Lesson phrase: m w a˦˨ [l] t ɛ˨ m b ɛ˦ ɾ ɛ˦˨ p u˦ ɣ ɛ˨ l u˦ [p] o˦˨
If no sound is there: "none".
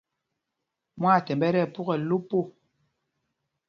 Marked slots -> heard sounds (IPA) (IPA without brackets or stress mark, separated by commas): none, p